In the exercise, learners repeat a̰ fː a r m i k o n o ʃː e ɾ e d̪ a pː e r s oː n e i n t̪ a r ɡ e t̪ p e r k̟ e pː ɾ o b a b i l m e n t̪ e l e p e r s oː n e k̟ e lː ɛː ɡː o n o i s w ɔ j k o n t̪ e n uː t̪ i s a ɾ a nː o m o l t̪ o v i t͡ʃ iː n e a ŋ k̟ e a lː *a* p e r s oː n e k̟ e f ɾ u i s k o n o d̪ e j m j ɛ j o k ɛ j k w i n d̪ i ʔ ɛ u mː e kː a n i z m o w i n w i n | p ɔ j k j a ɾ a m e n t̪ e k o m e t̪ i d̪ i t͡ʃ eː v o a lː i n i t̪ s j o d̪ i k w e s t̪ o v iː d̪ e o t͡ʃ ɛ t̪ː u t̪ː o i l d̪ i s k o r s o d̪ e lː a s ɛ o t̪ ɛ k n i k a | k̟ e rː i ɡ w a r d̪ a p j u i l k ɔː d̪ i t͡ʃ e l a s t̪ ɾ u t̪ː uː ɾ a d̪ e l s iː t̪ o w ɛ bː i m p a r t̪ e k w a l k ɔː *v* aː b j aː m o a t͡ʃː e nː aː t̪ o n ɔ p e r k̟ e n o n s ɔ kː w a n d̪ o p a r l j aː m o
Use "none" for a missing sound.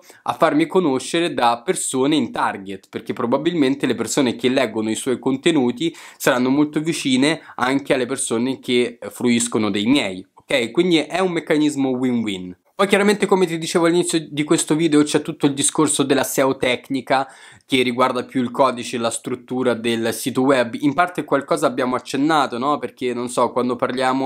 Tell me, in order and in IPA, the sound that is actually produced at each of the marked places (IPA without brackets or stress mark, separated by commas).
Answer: e, z